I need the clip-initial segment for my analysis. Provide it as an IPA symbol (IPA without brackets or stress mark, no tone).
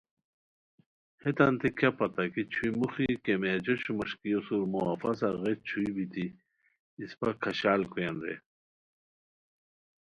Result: h